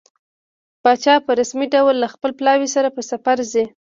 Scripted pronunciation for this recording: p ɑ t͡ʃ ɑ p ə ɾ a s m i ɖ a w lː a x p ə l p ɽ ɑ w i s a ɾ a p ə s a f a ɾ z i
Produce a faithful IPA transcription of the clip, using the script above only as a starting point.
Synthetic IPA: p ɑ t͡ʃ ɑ p ə ɾ a s m i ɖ a w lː a x p ə l p l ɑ w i s a ɾ a p ə s a f a ɾ z i